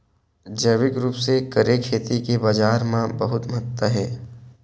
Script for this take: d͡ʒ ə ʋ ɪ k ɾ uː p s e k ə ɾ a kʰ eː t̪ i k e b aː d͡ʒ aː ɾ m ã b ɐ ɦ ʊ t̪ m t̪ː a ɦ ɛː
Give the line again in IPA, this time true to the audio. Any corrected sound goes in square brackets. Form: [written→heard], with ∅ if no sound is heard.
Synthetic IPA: d͡ʒ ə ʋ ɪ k ɾ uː p s e k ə ɾ [a→e] kʰ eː t̪ i k e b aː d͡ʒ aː ɾ m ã b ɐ ɦ ʊ t̪ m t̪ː a ɦ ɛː